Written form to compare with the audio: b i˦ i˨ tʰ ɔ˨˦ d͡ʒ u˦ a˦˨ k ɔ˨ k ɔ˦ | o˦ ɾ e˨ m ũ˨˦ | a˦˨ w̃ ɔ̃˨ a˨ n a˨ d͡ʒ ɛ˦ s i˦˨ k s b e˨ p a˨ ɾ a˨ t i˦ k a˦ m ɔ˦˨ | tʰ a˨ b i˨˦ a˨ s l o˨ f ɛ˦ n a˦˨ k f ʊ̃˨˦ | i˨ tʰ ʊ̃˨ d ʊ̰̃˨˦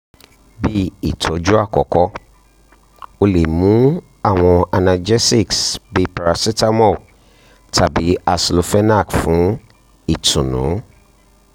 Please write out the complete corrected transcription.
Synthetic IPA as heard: b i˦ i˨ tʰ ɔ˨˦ d͡ʒ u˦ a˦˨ k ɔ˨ k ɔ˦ | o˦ l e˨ m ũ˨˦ | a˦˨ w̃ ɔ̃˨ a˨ n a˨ d͡ʒ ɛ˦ s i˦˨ k s b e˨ p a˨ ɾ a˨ s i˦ t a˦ m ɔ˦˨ | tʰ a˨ b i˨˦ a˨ s l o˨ f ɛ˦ n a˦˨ k f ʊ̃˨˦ | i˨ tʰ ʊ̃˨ n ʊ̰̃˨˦